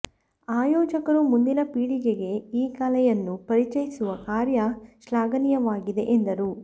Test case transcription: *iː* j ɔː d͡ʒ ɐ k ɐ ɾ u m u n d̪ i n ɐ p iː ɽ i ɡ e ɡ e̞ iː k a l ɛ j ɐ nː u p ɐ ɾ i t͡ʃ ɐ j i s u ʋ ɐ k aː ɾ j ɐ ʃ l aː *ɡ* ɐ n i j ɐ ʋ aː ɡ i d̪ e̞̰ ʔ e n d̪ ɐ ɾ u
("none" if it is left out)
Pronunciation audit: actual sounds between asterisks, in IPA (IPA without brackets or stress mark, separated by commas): aː, ɡ